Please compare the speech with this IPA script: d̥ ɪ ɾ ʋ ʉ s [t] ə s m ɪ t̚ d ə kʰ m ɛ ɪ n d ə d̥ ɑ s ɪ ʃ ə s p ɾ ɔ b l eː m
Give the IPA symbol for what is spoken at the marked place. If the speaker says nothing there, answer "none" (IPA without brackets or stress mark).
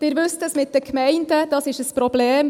t